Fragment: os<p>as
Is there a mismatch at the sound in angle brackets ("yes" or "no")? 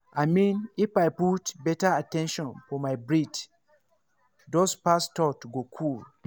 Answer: no